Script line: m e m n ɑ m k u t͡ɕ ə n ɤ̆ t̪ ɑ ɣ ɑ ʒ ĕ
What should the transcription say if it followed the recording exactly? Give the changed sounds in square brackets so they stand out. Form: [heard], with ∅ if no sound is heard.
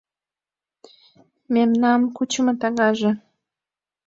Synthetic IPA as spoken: m e m n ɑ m k u t͡ɕ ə [m] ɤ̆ t̪ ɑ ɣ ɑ ʒ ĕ